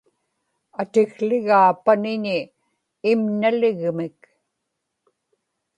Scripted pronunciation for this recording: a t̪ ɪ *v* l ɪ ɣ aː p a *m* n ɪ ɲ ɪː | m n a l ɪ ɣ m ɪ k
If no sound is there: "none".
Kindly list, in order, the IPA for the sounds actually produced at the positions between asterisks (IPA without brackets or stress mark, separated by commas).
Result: ɣ, none